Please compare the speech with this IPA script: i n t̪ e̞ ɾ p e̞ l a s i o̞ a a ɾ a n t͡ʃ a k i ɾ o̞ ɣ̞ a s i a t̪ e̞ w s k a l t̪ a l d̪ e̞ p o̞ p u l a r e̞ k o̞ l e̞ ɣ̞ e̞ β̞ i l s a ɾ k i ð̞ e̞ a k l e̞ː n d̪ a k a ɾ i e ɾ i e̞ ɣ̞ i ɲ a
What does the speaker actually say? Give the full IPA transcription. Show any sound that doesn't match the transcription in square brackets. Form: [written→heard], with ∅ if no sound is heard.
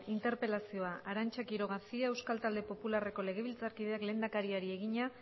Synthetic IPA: i n t̪ e̞ ɾ p e̞ l a s i o̞ a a ɾ a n t͡ʃ a k i ɾ o̞ ɣ̞ a s i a [t̪→∅] e̞ w s k a l t̪ a l d̪ e̞ p o̞ p u l a r e̞ k o̞ l e̞ ɣ̞ e̞ β̞ i l [s→t͡s] a ɾ k i ð̞ e̞ a k l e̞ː n d̪ a k a ɾ i [e→a] ɾ i e̞ ɣ̞ i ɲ a

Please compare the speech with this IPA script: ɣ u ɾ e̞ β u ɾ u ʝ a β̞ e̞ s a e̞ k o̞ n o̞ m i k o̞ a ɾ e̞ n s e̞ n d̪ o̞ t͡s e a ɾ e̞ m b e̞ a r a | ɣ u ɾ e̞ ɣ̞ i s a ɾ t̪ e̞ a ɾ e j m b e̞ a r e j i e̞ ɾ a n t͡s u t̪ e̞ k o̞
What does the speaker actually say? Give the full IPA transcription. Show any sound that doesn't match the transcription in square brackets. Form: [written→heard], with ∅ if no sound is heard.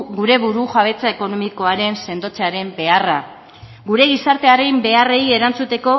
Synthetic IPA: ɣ u ɾ e̞ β u ɾ u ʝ a β̞ e̞ [s→t͡s] a e̞ k o̞ n o̞ m i k o̞ a ɾ e̞ n s e̞ n d̪ o̞ t͡s e a ɾ e̞ m b e̞ a r a | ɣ u ɾ e̞ ɣ̞ i s a ɾ t̪ e̞ a ɾ e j m b e̞ a r e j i e̞ ɾ a n t͡s u t̪ e̞ k o̞

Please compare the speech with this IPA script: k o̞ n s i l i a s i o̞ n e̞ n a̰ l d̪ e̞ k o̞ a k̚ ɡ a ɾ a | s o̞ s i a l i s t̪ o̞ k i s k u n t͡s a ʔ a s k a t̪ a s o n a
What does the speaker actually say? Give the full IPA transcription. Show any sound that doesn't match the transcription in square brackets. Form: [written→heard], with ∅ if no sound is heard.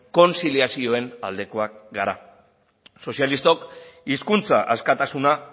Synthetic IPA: k o̞ n s i l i a s i o̞ [n→∅] e̞ n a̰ l d̪ e̞ k o̞ a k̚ ɡ a ɾ a | s o̞ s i a l i s t̪ o̞ k i s k u n t͡s a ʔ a s k a t̪ a s [o→u] n a

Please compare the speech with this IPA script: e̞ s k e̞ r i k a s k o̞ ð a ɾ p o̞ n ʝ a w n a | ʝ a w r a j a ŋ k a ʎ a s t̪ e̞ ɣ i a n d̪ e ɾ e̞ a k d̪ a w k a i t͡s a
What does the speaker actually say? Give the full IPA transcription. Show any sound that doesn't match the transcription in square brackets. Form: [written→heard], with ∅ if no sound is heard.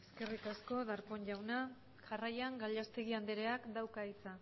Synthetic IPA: e̞ s k e̞ r i k a s k o̞ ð a ɾ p o̞ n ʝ a w n a | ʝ a [w→∅] r a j a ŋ [k→ɡ] a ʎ a s t̪ e̞ ɣ i a n d̪ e ɾ e̞ a k d̪ a w k a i t͡s a

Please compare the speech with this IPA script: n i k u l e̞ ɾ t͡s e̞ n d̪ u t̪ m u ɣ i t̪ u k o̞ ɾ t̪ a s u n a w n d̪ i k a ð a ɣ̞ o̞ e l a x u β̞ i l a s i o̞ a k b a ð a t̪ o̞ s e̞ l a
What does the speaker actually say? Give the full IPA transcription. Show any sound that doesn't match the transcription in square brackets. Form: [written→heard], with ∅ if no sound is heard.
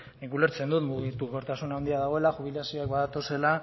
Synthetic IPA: n i k u l e̞ ɾ t͡s e̞ n d̪ u t̪ m u ɣ i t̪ u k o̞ ɾ t̪ a s u n a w n d̪ i [k→∅] a ð a ɣ̞ o̞ e l a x u β̞ i l a s i o̞ a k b a ð a t̪ o̞ s e̞ l a

